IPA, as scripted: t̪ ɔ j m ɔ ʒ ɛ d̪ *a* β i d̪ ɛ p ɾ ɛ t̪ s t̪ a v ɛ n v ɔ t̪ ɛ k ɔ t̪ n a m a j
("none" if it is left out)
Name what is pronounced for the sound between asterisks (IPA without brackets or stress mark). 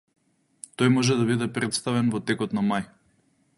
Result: a